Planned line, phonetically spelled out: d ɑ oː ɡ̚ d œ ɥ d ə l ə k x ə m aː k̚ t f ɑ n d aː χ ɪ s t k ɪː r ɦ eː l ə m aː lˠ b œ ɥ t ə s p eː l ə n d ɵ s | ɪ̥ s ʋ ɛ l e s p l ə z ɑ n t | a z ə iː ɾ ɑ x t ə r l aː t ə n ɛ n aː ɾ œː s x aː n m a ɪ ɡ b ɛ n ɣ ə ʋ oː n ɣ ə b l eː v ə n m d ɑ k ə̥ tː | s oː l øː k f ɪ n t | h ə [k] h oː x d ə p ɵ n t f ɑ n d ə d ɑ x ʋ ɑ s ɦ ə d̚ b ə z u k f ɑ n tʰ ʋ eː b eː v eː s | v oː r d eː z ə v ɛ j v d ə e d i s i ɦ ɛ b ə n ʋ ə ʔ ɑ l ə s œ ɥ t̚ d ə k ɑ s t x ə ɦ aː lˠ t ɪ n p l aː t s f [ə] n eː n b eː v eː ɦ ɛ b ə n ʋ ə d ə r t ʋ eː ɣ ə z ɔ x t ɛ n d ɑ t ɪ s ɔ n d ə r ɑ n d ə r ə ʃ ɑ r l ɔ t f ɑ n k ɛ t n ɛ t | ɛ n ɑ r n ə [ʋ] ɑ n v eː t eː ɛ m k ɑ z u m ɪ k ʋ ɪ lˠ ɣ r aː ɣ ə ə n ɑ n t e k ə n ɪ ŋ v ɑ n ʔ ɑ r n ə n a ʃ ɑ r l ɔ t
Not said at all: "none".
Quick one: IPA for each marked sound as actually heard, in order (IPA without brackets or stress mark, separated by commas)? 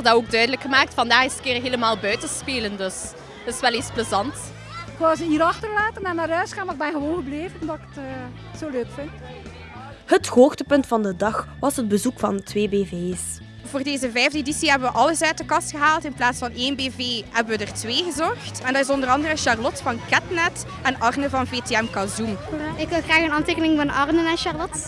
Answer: t, ɑ, v